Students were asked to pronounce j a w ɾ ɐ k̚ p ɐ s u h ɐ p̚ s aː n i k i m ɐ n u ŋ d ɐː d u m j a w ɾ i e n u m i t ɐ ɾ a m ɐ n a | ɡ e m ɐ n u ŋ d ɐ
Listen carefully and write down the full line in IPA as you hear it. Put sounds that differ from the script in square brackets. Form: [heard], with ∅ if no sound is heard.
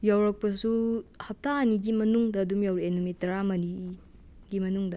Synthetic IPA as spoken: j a w ɾ ɐ k̚ p ɐ s u h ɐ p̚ [t] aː n i [ɡ] i m ɐ n u ŋ d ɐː d u m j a w ɾ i e n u m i t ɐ ɾ a m ɐ n [i] | ɡ [i] m ɐ n u ŋ d ɐ